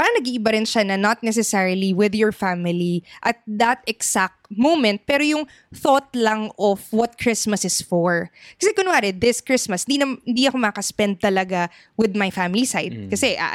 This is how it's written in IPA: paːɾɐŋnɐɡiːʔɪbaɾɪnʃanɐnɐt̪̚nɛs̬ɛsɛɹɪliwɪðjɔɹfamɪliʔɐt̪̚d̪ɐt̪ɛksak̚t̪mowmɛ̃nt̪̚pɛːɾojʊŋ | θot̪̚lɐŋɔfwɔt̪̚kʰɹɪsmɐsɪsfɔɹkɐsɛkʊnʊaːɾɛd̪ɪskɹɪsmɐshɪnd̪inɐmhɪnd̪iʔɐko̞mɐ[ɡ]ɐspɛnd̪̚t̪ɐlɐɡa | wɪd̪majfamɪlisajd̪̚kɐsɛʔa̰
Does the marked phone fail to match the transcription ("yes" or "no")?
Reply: yes